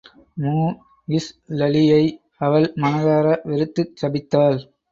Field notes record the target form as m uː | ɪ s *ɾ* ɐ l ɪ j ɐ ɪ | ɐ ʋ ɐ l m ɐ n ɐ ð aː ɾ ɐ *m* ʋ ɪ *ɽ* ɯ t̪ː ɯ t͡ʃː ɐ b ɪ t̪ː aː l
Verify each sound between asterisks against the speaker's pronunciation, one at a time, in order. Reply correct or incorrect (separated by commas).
incorrect, incorrect, incorrect